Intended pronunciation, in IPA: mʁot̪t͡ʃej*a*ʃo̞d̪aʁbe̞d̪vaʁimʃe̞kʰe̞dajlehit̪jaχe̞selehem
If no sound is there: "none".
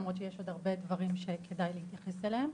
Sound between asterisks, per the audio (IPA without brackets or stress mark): e